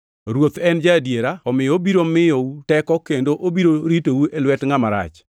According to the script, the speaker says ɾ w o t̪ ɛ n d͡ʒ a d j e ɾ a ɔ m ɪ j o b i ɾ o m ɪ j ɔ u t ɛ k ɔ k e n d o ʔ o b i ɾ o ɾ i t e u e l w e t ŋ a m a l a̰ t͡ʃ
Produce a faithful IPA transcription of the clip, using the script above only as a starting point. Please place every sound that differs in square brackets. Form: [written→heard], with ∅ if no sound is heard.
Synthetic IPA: ɾ w o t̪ ɛ n d͡ʒ a d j e ɾ a ɔ m ɪ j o b i ɾ o m ɪ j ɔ u t ɛ k ɔ k e n d o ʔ o b i ɾ o ɾ i t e u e l w [e→ɛ] t ŋ a m a [l→ɾ] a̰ t͡ʃ